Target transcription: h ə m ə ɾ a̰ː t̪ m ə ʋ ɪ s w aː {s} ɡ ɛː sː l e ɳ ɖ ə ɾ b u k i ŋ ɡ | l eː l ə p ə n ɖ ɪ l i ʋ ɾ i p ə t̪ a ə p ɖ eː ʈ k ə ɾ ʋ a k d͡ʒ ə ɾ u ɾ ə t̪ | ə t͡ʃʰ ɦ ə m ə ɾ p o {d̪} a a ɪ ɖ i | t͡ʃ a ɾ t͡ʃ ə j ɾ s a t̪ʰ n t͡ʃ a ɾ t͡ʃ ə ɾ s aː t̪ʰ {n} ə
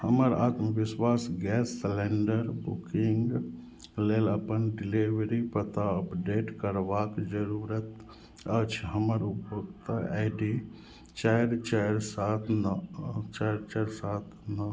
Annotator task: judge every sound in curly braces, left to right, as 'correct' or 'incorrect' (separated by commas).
correct, incorrect, correct